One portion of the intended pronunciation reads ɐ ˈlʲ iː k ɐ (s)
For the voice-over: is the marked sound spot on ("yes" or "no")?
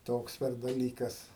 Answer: yes